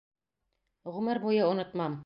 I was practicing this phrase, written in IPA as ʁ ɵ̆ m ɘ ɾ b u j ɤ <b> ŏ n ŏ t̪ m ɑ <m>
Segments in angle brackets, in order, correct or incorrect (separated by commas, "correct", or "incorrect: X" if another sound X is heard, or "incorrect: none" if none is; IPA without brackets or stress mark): incorrect: none, correct